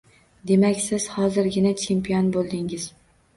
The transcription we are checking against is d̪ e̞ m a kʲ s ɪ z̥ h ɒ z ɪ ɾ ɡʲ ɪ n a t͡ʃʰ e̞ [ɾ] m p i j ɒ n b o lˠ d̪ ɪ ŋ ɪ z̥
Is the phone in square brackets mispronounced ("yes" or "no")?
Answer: yes